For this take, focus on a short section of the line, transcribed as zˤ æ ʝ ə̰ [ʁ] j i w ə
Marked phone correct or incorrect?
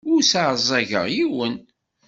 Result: correct